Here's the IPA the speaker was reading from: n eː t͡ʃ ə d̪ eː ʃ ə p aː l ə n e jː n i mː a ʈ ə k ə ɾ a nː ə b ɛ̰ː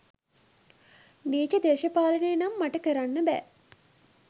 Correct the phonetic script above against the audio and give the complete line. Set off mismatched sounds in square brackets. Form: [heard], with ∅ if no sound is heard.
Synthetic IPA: n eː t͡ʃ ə d̪ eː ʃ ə p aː l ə n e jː n [a] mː a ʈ ə k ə ɾ a nː ə b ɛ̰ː